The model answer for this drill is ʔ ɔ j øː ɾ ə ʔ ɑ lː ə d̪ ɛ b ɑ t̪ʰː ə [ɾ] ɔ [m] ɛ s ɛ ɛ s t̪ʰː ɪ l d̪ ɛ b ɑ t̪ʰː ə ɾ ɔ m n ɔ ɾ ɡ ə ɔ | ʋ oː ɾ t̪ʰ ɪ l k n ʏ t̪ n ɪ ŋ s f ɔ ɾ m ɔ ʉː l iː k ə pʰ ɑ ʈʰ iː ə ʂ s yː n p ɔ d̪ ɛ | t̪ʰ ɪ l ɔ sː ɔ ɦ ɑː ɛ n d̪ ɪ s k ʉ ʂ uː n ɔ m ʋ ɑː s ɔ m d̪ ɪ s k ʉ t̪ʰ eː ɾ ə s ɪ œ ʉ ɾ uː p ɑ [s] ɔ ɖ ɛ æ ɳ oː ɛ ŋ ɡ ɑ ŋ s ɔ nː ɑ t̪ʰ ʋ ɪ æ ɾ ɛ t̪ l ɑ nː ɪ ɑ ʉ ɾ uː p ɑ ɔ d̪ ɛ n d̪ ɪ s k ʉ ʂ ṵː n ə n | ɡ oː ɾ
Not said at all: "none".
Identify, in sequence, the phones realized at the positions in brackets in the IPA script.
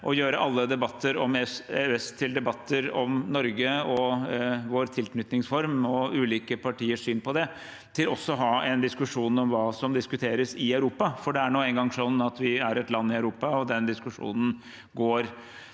ɾ, m, f

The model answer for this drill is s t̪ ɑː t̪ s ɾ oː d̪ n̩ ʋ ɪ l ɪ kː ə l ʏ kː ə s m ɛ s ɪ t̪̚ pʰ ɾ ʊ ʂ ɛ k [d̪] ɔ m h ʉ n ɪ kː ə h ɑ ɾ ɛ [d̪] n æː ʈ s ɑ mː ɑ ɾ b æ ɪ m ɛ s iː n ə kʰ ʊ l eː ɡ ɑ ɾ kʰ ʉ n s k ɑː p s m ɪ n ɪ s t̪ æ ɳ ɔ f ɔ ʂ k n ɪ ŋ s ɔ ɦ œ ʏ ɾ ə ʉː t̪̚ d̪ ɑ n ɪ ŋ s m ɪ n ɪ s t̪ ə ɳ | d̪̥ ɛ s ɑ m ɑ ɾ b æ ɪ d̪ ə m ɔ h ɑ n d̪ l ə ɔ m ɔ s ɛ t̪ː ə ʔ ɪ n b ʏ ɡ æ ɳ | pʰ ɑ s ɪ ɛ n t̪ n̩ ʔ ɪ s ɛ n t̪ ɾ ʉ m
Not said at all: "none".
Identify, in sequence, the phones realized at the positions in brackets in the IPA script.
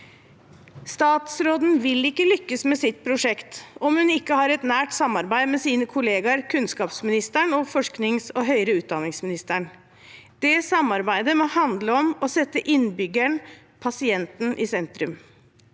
t̪, t̪

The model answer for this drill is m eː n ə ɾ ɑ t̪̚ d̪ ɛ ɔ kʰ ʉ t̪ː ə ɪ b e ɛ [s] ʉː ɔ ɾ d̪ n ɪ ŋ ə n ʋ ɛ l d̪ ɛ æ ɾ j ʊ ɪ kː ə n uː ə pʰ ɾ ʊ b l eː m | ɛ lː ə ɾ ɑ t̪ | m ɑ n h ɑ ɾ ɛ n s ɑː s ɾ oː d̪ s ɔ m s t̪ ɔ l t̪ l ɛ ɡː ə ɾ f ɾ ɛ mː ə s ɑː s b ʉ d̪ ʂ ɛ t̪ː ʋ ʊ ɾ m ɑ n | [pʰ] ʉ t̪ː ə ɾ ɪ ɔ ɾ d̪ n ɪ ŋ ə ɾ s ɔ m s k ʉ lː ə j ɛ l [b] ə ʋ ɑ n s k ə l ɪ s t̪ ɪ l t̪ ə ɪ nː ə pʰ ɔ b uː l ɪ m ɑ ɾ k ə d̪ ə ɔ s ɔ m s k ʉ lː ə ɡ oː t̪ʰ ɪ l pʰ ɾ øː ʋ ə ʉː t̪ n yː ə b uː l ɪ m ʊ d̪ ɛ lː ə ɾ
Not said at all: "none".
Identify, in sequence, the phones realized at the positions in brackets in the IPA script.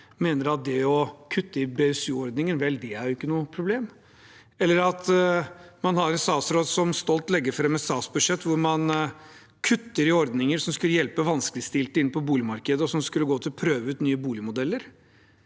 s, kʰ, p

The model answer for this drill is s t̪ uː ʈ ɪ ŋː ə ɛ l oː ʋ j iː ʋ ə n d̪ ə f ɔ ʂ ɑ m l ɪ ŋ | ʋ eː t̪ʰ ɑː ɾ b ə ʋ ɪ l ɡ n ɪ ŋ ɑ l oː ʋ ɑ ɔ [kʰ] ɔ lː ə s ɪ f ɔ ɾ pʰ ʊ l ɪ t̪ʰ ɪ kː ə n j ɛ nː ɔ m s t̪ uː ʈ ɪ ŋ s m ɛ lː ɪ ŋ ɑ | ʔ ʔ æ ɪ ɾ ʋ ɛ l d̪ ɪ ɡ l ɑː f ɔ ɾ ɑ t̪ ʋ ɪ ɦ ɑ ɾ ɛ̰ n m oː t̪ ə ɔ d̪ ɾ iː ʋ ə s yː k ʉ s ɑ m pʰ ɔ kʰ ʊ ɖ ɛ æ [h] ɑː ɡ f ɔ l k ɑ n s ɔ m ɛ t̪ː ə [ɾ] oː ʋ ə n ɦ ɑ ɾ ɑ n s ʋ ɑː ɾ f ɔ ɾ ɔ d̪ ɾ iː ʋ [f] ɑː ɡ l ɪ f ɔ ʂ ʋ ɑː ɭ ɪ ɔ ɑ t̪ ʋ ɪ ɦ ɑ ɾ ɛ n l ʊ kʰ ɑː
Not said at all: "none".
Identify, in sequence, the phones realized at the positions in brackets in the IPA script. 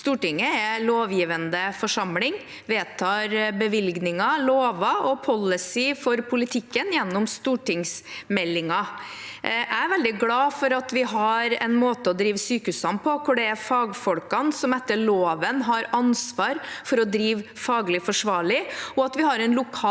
pʰ, f, ɭ, f

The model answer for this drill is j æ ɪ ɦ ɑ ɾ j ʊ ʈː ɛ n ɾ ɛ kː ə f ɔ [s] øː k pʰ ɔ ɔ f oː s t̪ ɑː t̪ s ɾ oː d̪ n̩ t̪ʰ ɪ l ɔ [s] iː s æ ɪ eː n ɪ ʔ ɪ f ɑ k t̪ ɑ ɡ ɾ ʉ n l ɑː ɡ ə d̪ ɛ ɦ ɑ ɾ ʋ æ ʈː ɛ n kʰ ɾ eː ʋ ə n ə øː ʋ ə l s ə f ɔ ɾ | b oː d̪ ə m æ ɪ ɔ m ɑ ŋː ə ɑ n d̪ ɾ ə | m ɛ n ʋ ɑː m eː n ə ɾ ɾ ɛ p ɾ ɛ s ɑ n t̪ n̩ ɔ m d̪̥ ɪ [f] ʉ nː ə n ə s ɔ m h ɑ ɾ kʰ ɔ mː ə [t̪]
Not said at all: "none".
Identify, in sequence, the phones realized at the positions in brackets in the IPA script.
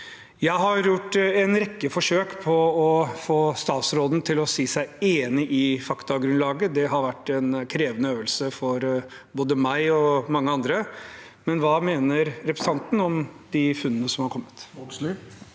ʂ, s, f, t̪

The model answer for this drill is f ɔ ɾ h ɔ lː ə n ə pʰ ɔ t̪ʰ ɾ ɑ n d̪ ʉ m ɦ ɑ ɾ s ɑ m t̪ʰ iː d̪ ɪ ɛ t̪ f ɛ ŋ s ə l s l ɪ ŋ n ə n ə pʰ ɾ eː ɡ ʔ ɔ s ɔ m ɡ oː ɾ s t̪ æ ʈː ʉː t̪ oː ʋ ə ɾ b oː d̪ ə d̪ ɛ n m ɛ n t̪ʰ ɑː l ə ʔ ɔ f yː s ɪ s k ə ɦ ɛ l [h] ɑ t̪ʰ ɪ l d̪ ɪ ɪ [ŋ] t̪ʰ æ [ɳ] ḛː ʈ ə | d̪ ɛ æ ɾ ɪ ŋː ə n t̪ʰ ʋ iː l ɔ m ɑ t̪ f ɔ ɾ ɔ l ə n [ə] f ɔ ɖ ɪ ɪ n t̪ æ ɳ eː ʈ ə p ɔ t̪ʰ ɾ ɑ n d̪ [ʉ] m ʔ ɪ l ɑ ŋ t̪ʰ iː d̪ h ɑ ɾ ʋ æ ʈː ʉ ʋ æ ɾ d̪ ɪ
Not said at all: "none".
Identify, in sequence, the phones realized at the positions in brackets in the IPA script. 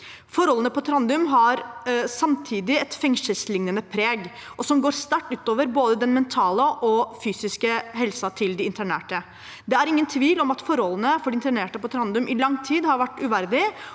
s, n, ɳ, ə, ʉ

